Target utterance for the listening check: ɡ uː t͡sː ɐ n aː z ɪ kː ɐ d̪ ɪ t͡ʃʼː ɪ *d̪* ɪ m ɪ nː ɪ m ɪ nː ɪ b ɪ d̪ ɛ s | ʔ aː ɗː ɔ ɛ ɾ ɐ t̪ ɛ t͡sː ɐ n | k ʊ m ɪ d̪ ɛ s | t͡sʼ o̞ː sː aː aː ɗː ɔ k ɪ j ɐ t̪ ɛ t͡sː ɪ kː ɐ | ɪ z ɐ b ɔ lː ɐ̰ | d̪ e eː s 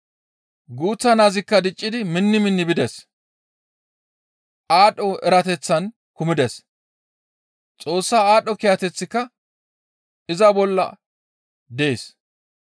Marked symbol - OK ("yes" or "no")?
yes